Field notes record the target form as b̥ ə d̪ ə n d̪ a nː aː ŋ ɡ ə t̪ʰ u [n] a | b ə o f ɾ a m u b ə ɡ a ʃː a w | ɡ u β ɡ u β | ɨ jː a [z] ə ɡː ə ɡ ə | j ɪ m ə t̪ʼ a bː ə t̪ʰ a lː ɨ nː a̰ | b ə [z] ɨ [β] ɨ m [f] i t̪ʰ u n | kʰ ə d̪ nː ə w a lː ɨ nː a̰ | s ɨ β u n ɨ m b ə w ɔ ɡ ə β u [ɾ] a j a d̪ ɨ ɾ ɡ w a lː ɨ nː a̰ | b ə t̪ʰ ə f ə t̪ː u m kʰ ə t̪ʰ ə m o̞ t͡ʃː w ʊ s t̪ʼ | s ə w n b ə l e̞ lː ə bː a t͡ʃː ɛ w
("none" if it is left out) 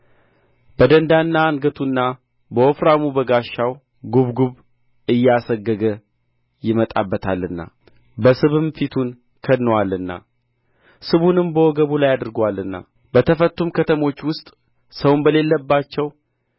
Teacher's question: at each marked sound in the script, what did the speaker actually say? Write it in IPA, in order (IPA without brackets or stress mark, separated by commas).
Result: nː, s, s, β, f, l